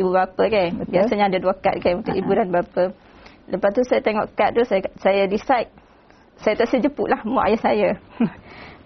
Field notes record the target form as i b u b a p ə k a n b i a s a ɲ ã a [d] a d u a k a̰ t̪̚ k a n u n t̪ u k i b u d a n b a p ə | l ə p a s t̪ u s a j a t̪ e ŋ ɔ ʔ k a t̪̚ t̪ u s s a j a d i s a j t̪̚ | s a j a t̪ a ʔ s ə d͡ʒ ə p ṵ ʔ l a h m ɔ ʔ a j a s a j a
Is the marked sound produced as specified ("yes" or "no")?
yes